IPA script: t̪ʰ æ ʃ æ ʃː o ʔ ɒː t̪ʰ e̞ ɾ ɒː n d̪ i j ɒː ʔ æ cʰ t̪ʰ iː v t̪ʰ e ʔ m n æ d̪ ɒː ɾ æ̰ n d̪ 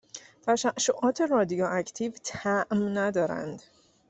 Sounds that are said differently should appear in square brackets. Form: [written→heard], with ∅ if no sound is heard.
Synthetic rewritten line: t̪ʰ æ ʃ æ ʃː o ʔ ɒː t̪ʰ e̞ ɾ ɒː [n→∅] d̪ i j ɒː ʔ æ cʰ t̪ʰ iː v t̪ʰ [e→æ] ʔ m n æ d̪ ɒː ɾ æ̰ n d̪